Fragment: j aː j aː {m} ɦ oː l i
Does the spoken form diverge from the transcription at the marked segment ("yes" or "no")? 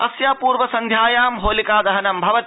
no